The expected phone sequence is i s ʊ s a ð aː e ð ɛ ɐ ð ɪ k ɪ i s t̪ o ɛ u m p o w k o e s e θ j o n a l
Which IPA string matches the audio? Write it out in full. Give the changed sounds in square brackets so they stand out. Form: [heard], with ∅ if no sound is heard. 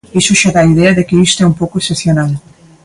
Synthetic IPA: i s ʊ [ʃ] a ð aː [i] ð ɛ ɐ ð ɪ k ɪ i s t̪ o ɛ u m p o w k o e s e θ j o n a l